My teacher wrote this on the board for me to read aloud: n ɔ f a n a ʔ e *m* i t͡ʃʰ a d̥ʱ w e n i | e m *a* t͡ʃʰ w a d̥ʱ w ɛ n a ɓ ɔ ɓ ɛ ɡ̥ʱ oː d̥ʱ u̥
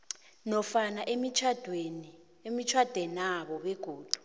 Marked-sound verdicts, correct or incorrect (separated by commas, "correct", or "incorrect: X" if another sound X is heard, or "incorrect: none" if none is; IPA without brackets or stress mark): correct, incorrect: i